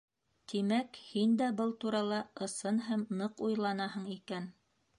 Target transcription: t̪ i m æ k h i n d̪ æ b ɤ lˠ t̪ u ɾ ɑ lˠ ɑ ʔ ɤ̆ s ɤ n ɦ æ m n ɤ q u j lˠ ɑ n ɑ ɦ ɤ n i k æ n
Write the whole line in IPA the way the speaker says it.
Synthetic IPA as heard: t̪ i m æ k h i n d̪ æ b ɤ lˠ t̪ u ɾ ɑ lˠ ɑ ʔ ɤ̆ s ɤ n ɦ æ m n ɤ q u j lˠ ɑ n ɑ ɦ ɤ ɴ i k æ n